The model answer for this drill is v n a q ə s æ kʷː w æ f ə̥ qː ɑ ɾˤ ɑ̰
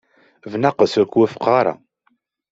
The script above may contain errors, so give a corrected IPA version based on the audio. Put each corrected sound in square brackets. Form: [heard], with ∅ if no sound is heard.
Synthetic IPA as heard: v n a q ə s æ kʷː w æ f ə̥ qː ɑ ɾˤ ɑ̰